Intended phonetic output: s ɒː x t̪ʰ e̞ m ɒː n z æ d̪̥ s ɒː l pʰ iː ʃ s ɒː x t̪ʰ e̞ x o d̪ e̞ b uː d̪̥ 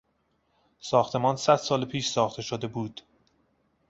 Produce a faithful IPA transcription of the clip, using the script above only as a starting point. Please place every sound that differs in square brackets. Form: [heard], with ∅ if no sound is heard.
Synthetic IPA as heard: s ɒː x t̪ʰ e̞ m ɒː n [s] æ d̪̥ s ɒː l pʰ iː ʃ s ɒː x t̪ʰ e̞ [ʃ] o d̪ e̞ b uː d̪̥